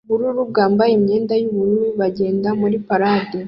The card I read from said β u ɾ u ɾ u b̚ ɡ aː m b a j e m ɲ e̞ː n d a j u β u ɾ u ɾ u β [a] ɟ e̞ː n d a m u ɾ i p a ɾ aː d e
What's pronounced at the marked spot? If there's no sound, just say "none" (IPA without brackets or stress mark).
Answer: a